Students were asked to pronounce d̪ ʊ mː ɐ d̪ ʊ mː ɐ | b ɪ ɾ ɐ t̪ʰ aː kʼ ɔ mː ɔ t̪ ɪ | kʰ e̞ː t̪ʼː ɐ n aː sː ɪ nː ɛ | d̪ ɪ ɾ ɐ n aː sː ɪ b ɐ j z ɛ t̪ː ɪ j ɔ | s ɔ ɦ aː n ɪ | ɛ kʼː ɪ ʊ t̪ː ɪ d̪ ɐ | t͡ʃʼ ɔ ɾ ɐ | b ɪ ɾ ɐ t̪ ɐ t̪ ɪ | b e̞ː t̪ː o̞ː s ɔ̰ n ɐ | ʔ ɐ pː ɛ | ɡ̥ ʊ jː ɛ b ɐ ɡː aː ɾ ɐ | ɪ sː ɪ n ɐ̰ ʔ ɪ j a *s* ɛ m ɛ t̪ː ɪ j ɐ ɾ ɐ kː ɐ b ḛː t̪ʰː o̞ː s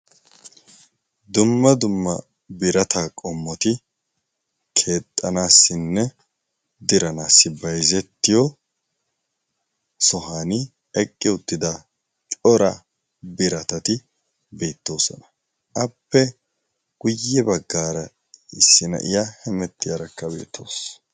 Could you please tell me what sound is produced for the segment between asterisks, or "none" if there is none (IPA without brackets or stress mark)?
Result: h